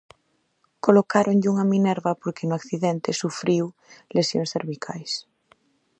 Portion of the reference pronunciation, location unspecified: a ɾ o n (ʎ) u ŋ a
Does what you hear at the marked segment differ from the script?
no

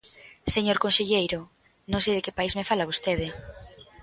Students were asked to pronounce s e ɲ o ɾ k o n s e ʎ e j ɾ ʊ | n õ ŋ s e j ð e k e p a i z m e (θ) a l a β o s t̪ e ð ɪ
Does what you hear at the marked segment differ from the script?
yes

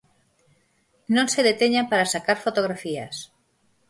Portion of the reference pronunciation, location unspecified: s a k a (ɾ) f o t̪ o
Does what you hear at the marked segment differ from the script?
no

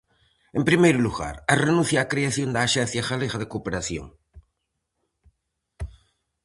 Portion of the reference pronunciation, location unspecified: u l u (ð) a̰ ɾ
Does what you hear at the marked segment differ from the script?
yes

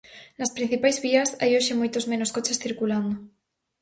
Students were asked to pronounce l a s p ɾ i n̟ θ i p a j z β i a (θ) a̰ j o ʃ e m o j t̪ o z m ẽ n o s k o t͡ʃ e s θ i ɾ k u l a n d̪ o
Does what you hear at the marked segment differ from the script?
yes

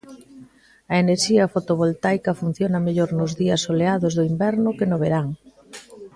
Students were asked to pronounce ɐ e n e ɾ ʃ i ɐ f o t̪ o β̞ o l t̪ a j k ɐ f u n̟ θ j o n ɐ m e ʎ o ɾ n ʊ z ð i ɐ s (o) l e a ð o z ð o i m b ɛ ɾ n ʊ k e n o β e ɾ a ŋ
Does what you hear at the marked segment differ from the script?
no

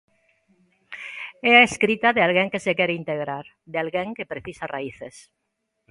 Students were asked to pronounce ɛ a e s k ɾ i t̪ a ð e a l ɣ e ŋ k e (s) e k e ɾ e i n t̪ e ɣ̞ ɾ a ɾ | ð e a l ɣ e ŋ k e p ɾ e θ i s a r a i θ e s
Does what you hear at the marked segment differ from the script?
no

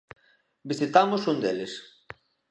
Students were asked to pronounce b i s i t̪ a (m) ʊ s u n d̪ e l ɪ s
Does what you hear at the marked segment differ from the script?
no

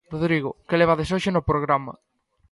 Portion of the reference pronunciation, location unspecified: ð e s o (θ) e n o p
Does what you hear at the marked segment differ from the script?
yes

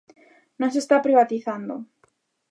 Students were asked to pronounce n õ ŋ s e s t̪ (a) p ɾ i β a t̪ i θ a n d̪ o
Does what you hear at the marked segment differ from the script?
no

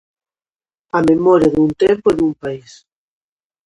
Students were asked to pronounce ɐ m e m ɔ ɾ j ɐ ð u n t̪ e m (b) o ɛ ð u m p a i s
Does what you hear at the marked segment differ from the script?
yes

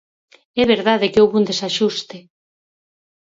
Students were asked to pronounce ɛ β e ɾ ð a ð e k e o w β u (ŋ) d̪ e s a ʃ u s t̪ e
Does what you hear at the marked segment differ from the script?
yes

